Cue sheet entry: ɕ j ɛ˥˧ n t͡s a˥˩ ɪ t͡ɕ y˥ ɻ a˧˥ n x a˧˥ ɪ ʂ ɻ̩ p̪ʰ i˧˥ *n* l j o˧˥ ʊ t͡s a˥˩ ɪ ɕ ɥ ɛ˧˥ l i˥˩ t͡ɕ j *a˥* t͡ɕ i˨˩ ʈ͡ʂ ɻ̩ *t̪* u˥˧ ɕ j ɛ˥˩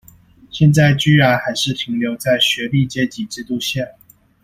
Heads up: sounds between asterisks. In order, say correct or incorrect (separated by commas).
incorrect, incorrect, correct